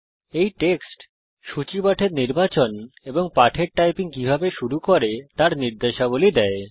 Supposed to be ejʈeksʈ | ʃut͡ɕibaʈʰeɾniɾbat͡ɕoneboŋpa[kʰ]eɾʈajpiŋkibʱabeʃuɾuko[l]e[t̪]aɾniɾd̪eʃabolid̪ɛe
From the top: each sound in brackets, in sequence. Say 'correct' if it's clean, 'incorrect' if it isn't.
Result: incorrect: ʈʰ, incorrect: ɾ, correct

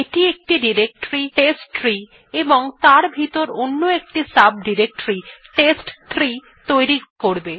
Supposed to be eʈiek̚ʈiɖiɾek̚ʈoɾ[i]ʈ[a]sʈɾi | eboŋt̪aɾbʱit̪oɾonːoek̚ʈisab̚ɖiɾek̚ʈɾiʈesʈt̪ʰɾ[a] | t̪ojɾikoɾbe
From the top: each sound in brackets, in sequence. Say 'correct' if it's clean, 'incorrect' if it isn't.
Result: correct, incorrect: e, incorrect: i

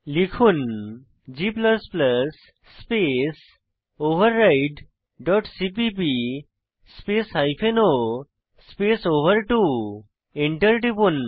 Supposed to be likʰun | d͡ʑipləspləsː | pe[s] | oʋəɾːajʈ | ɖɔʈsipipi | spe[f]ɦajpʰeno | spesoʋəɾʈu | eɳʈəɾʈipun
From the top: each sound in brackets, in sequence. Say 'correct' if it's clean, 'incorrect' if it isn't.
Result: correct, incorrect: s

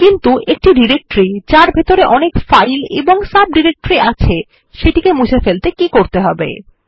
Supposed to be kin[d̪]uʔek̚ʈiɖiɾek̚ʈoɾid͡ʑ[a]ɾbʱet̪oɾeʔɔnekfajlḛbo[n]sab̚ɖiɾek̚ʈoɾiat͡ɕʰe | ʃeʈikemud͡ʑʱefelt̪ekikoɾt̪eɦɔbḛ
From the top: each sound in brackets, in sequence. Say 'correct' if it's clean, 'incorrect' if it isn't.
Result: incorrect: t̪, correct, incorrect: ŋ

